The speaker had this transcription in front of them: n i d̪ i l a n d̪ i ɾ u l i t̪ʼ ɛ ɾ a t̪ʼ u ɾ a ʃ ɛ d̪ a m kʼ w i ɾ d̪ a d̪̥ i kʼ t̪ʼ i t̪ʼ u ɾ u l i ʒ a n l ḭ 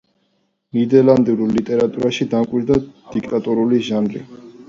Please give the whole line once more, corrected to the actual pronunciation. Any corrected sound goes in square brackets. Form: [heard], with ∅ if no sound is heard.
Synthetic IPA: n i d̪ [ɛ] l a n d̪ i ɾ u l i t̪ʼ ɛ ɾ a t̪ʼ u ɾ a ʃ [i] d̪ a m kʼ w i ɾ d̪ a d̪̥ i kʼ t̪ʼ [a] t̪ʼ u ɾ u l i ʒ a n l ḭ